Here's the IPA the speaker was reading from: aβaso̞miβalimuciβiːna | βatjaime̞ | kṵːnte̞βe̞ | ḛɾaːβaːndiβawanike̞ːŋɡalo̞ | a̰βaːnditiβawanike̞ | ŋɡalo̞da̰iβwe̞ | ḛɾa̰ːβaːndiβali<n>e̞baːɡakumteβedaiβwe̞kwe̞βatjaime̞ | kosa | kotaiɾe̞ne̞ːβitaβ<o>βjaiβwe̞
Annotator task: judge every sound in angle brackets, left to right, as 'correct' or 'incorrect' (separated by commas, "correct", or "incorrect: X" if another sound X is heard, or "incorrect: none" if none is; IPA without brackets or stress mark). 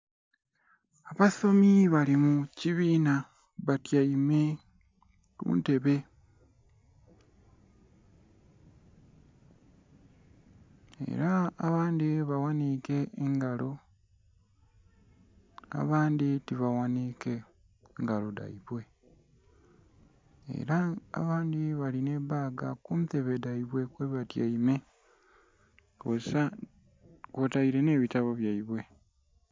correct, correct